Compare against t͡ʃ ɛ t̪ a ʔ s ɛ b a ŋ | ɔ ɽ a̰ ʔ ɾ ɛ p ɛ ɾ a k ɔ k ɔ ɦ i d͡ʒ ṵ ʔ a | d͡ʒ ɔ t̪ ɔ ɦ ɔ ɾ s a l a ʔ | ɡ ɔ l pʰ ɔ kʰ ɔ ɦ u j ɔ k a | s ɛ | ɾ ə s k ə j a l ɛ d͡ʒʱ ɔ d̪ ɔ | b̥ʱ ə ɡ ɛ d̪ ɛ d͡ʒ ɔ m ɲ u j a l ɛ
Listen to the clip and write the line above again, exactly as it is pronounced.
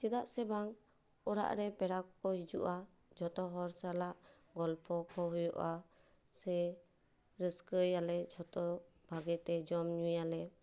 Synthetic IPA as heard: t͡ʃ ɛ d̪ a ʔ s ɛ b a ŋ | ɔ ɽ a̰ ʔ ɾ ɛ p ɛ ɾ a k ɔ k ɔ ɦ i d͡ʒ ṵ ʔ a | d͡ʒ ɔ t̪ ɔ ɦ ɔ ɾ s a l a ʔ | ɡ ɔ l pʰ ɔ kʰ ɔ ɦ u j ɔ ʔ a | s ɛ | ɾ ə s k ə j a l ɛ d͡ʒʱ ɔ t̪ ɔ | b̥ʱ a ɡ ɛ t̪ ɛ d͡ʒ ɔ m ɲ u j a l ɛ

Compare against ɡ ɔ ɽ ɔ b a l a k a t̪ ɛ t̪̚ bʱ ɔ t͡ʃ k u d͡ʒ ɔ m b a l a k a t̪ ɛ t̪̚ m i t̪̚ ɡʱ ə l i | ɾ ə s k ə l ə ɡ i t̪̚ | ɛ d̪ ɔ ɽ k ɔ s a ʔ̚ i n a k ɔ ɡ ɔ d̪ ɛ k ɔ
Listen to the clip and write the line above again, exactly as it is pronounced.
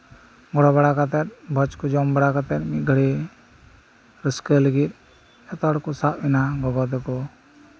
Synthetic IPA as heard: ɡ ɔ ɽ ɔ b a ɽ a k a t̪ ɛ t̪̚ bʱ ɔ t͡ʃ k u d͡ʒ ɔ m b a ɽ a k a t̪ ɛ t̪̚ m i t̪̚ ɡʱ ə ɽ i | ɾ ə s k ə l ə ɡ i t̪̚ | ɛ t̪ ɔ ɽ k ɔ s a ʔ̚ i n a ɡ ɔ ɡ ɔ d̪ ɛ k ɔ

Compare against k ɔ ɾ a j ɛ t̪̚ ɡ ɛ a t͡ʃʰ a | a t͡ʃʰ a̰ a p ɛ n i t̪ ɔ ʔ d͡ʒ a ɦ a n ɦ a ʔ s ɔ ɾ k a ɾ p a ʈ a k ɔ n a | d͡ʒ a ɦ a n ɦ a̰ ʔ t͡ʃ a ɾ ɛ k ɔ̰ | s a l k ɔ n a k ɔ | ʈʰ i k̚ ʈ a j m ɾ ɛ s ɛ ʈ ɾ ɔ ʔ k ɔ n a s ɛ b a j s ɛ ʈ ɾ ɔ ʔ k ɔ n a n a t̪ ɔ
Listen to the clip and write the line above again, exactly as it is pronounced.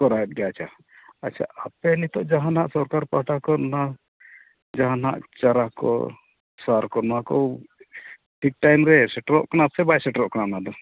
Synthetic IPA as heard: k ɔ ɾ a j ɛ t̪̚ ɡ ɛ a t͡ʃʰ a | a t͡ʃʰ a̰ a p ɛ n i t̪ ɔ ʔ d͡ʒ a ɦ a n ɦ a ʔ s ɔ ɾ k a ɾ p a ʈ a k ɔ n a | d͡ʒ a ɦ a n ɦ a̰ ʔ t͡ʃ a ɾ a k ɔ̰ | s a ɾ k ɔ n a k ɔ | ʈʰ i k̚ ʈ a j m ɾ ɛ s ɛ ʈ ɾ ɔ ʔ k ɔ n a s ɛ b a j s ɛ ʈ ɾ ɔ ʔ k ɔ n a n a d̪ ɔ

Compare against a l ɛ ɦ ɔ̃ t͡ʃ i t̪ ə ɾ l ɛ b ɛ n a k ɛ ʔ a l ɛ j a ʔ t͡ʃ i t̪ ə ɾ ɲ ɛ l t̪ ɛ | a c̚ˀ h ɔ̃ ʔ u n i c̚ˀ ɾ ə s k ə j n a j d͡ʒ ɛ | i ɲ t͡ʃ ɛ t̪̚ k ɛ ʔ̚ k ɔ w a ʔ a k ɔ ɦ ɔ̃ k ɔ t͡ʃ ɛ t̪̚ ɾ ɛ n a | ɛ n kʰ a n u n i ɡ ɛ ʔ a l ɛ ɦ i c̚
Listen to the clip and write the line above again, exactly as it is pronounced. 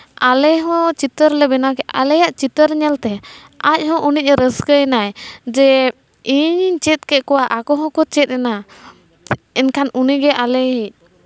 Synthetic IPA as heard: a l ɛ ɦ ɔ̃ t͡ʃ i t̪ ə ɾ l ɛ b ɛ n a k ɛ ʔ a l ɛ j a ʔ t͡ʃ i t̪ ə ɾ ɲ ɛ l t̪ ɛ | a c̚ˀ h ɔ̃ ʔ u n i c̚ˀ ɾ ə s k ə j n a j d͡ʒ ɛ | i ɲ t͡ʃ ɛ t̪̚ k ɛ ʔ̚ k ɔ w a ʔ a k ɔ ɦ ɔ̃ k ɔ t͡ʃ ɛ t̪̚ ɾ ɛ n a | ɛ n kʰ a n u n i ɡ ɛ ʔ a l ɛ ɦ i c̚

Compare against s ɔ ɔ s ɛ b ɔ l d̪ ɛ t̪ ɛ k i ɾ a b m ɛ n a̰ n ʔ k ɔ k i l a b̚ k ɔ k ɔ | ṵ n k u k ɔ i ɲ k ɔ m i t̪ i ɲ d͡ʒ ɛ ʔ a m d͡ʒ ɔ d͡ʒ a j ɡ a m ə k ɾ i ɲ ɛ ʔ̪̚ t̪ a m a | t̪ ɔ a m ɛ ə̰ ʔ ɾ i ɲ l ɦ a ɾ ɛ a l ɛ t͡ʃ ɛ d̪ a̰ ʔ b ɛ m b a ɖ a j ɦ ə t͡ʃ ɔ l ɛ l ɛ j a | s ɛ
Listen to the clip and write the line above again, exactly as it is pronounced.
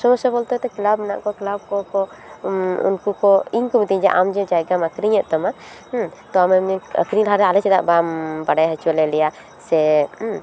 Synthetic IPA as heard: s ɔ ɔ s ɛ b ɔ l t̪ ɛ t̪ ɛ k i l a b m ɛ n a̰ ʔ k ɔ k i l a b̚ k ɔ k ɔ | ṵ n k u k ɔ i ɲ k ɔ m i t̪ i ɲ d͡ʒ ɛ ʔ a m d͡ʒ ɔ d͡ʒ a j ɡ a m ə k ɾ i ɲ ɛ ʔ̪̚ t̪ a m a | t̪ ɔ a m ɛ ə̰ k ɾ i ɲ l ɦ a ɾ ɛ a l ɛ t͡ʃ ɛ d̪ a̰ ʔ b a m b a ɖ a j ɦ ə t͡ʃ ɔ l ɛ l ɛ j a | s ɛ

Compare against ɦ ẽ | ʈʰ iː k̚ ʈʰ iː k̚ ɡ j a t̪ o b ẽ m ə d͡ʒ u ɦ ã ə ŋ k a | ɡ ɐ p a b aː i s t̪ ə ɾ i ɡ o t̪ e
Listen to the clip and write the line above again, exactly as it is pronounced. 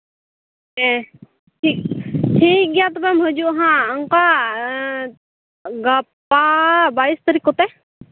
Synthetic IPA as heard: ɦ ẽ | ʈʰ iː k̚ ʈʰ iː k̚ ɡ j a t̪ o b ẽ m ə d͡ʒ u ɦ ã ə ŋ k a | ɡ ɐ p a b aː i s t̪ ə ɾ i k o t̪ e

